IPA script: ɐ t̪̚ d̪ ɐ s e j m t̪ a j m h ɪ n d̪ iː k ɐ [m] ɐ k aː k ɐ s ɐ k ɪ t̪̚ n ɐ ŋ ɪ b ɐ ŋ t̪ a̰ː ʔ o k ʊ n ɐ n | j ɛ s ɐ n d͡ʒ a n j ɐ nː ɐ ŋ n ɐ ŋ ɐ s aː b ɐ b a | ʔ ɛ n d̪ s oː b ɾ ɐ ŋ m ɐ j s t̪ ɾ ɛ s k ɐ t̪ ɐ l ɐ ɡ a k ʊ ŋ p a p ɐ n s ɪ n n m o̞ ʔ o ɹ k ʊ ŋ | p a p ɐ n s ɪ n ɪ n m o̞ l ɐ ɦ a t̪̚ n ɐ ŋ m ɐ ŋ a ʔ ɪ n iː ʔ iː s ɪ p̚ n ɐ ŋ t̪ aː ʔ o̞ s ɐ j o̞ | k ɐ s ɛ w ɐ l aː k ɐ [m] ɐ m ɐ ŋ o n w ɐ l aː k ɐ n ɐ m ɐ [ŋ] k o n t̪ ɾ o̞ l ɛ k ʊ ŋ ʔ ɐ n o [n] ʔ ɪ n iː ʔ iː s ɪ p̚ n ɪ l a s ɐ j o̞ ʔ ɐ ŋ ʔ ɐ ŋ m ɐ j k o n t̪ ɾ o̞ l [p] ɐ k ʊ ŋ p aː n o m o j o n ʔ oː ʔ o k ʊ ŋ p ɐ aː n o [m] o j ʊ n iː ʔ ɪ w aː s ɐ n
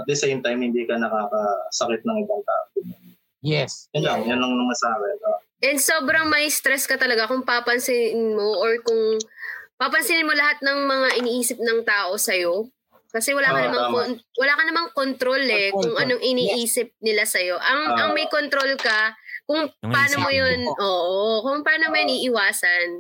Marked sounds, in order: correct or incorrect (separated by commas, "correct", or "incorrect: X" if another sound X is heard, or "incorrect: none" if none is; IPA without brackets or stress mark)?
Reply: incorrect: n, incorrect: n, correct, incorrect: ŋ, incorrect: k, correct